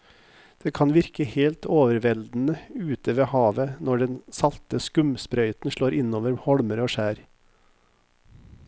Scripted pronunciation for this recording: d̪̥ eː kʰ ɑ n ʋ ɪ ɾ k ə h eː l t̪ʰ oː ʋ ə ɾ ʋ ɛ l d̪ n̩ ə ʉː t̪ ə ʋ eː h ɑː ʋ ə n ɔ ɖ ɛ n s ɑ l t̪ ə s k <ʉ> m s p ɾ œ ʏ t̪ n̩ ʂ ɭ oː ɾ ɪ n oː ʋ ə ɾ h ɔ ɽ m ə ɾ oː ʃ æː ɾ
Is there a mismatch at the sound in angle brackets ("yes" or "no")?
no